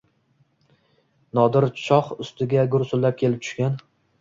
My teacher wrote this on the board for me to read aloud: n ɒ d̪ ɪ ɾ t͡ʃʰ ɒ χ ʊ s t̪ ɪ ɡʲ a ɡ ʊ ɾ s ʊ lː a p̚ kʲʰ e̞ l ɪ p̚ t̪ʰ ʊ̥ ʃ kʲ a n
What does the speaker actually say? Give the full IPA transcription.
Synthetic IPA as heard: n ɒ d̪ ɪ ɾ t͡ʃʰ ɒ χ ʊ s t̪ ɪ ɡʲ a ɡ ʊ ɾ s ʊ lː a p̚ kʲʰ e̞ l ɪ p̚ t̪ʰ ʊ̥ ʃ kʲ a n